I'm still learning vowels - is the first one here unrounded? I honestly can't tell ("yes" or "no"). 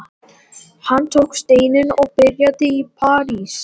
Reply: yes